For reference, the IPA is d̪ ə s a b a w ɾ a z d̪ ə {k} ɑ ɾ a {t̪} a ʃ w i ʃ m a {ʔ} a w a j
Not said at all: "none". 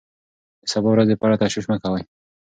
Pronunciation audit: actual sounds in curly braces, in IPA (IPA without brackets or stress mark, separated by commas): p, t̪, k